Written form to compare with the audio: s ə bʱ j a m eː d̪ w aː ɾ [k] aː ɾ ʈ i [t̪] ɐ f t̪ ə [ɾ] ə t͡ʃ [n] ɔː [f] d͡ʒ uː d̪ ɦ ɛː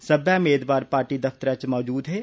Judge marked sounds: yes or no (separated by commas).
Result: no, no, yes, no, no